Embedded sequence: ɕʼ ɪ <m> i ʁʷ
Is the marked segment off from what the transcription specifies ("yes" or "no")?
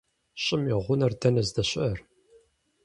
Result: no